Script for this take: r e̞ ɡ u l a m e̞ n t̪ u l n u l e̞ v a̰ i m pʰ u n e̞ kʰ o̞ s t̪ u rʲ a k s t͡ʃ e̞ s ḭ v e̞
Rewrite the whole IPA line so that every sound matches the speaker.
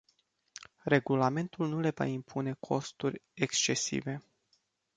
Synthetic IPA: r e̞ ɡ u l a m e̞ n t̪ u l n u l e̞ v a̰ i m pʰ u n e̞ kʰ o̞ s t̪ u rʲ e k s t͡ʃ e̞ s ḭ v e̞